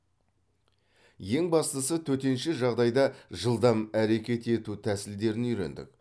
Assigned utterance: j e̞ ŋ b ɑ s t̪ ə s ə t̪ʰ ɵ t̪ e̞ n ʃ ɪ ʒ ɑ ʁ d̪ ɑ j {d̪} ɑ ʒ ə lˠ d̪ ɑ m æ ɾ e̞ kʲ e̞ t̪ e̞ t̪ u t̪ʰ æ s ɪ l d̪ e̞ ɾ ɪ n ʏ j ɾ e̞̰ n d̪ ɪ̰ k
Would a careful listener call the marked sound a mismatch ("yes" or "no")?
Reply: no